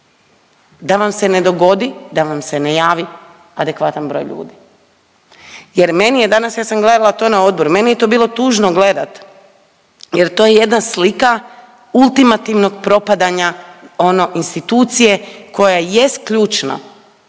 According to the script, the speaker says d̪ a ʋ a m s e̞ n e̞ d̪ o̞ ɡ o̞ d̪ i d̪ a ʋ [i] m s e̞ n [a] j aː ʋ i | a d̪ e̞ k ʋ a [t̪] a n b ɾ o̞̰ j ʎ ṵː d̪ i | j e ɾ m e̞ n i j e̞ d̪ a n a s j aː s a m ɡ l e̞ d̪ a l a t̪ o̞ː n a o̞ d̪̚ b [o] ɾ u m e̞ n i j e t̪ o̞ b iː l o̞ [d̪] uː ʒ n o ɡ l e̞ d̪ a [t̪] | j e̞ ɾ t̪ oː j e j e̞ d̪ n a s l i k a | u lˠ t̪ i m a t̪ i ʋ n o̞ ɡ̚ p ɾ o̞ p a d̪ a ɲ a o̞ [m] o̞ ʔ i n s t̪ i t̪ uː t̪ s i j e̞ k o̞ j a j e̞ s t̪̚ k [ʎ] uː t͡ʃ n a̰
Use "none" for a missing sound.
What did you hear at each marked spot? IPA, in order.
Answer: a, e, t̪, o, t̪, t̪, n, ʎ

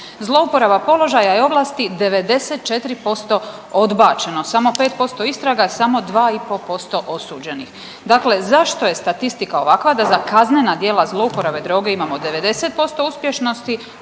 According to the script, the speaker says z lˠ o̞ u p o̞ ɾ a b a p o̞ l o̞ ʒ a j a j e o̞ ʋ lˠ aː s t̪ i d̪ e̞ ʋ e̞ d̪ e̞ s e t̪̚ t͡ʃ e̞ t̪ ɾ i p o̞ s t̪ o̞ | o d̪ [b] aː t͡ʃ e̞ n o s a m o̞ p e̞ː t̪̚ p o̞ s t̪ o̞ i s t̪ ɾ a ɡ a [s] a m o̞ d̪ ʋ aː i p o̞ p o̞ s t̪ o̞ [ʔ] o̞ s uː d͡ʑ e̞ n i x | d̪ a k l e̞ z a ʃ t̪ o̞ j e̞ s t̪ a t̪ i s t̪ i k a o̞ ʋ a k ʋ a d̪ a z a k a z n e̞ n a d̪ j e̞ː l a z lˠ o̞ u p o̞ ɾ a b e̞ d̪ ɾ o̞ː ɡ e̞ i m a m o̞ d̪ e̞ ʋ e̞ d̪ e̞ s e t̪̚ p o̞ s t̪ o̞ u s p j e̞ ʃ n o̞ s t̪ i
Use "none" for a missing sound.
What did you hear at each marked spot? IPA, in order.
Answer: b, s, ʔ

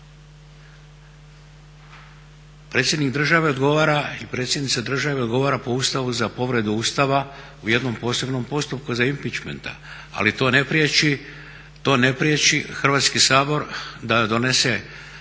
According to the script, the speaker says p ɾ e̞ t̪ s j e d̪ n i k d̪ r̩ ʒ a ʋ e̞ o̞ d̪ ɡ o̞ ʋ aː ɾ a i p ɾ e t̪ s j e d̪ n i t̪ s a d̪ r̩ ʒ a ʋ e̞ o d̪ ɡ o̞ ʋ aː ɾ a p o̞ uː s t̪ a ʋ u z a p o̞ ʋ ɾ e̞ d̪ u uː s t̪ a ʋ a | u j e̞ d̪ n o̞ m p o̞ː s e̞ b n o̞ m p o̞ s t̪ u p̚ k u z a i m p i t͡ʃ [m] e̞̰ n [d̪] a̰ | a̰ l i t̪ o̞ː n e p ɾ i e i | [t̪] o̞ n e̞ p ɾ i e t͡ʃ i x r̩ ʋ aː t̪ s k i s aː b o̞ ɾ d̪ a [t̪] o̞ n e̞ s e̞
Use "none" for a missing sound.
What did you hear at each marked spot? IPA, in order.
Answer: m, t̪, t̪, d̪

